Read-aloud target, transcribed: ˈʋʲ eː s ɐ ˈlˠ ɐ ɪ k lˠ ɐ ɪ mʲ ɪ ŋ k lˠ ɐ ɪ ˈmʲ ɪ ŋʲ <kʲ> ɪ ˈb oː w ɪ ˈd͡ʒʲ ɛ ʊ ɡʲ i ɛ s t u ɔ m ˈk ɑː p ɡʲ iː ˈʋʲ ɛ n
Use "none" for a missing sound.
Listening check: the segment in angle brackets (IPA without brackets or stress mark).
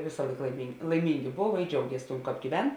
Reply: ɡʲ